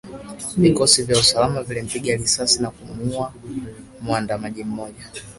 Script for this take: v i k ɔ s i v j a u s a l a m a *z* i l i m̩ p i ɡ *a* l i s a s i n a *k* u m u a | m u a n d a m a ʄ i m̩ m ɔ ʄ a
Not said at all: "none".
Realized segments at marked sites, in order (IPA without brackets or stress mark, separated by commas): v, a, k